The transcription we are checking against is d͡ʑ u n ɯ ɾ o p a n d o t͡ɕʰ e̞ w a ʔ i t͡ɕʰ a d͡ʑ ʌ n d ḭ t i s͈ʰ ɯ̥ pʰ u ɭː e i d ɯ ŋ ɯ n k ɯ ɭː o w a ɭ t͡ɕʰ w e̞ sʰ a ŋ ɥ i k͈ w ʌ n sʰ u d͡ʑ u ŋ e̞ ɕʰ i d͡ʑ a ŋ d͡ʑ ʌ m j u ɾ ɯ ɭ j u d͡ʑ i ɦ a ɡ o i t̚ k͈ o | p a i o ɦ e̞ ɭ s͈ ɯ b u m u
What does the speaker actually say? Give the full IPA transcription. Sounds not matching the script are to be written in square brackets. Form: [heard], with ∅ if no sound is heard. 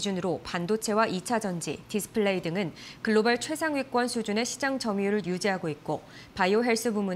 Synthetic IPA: d͡ʑ u n ɯ ɾ o p a n d o t͡ɕʰ e̞ w a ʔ i t͡ɕʰ a d͡ʑ ʌ n [d͡ʑ] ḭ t i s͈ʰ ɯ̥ pʰ [ɯ] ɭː e i d ɯ ŋ ɯ n k ɯ ɭː o [b] a ɭ t͡ɕʰ w e̞ sʰ a ŋ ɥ i k͈ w ʌ n sʰ u d͡ʑ u [n] e̞ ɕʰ i d͡ʑ a ŋ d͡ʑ ʌ m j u ɾ ɯ ɭ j u d͡ʑ i ɦ a ɡ o i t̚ k͈ o | p a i o ɦ e̞ ɭ s͈ ɯ b u m u